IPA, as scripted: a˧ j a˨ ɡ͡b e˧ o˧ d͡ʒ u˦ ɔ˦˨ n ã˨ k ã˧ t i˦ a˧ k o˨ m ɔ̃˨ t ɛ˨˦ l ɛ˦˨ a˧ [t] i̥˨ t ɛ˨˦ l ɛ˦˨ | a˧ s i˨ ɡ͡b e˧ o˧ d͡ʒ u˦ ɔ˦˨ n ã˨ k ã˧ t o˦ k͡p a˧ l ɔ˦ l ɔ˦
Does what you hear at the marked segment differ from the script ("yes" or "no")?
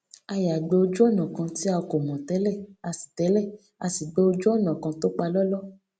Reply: yes